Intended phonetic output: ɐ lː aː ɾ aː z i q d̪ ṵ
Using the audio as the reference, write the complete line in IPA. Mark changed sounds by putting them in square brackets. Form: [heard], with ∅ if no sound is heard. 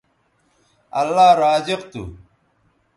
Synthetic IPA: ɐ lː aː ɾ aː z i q [t̪] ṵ